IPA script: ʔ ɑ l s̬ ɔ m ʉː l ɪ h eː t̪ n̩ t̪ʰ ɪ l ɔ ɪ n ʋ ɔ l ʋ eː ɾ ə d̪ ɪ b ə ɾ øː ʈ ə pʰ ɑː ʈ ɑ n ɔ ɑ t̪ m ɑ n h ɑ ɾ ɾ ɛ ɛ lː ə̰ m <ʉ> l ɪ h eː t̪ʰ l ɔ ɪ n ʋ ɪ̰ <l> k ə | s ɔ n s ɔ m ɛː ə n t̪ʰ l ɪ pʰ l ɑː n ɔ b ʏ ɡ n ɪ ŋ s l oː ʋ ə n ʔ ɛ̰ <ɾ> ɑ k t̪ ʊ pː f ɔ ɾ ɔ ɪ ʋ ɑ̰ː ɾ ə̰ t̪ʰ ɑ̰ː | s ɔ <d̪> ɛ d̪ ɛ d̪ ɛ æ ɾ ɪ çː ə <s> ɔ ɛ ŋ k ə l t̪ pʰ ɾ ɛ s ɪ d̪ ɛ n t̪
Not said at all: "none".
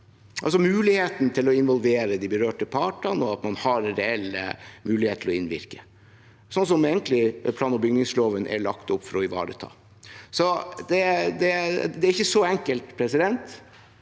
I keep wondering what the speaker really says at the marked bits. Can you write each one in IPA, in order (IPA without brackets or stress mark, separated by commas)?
ʉː, ɾ, ɭ, d̪, s